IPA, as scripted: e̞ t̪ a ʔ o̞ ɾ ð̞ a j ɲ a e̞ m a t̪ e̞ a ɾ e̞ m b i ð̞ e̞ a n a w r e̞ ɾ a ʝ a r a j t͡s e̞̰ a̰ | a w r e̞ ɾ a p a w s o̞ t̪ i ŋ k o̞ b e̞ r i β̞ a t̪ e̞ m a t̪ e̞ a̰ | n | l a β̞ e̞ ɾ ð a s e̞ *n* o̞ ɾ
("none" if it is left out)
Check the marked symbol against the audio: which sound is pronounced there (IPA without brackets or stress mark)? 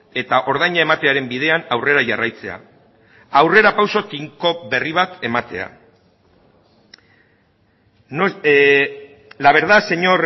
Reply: ɲ